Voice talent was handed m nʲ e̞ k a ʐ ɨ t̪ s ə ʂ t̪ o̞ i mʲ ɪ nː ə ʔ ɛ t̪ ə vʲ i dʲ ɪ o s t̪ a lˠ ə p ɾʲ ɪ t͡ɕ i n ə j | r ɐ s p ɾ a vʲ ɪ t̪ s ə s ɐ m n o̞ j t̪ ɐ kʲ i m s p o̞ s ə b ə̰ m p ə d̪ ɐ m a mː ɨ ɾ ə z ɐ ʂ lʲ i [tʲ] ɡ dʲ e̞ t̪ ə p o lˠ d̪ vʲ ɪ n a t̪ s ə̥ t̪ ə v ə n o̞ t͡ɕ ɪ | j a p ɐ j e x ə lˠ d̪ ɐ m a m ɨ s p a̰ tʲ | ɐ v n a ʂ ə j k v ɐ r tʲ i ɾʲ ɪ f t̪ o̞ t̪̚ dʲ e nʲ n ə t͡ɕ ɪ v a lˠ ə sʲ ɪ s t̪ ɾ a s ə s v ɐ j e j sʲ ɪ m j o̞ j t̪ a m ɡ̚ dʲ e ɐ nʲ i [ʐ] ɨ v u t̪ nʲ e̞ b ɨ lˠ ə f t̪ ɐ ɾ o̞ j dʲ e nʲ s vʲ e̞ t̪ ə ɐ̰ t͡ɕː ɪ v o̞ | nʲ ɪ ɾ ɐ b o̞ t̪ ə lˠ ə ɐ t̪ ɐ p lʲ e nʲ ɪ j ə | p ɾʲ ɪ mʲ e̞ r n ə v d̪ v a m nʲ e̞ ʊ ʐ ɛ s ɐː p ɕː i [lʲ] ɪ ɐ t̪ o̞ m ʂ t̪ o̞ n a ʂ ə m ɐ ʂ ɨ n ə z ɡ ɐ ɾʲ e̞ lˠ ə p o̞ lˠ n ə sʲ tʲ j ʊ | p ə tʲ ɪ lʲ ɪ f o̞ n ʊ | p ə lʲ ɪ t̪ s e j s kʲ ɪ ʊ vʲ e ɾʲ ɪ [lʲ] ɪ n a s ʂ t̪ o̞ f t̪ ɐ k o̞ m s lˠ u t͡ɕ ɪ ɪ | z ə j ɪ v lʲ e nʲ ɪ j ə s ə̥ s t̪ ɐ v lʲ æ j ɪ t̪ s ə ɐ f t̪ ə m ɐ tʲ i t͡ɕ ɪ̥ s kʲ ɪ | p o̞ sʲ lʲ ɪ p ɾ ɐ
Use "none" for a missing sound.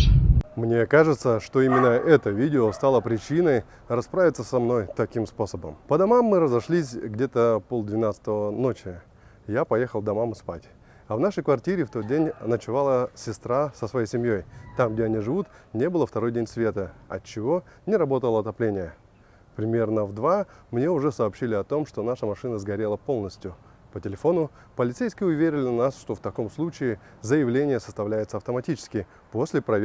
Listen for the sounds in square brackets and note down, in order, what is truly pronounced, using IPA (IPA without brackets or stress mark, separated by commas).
sʲ, ʐ, lʲ, lʲ